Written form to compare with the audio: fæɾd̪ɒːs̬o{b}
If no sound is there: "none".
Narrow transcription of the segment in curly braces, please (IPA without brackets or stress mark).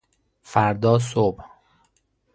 b